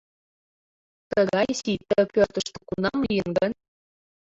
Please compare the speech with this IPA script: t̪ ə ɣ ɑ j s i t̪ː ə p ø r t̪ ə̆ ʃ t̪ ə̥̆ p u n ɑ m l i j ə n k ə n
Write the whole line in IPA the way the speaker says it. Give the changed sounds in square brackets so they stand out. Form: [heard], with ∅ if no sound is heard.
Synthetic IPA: t̪ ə ɣ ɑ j s i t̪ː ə p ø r t̪ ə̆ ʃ t̪ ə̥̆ [k] u n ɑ m l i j ə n [ɡ] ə n